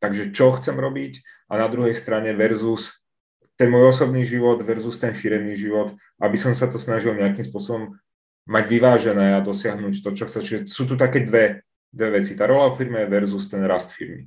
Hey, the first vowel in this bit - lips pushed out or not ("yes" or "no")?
no